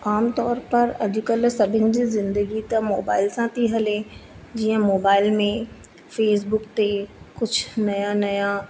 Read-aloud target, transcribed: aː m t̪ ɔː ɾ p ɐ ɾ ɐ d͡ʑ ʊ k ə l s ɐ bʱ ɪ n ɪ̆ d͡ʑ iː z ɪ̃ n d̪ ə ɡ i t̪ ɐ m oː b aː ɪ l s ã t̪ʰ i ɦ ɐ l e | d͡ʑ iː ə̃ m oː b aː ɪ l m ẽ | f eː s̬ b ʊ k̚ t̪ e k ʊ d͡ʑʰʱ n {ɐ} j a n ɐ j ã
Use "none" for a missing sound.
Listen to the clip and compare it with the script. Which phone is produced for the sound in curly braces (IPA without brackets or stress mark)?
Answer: ɐ